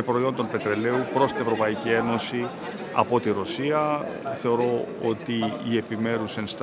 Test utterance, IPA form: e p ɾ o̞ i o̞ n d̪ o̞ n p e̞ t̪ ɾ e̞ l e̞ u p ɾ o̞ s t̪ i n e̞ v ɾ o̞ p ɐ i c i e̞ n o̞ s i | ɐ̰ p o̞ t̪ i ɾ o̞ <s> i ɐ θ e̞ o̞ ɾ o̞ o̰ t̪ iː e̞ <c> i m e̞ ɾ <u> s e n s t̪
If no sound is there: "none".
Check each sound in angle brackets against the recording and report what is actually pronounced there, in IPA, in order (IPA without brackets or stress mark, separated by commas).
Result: s, p, u